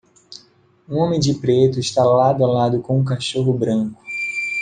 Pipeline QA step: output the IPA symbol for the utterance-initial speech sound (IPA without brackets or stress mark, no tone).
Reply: ũ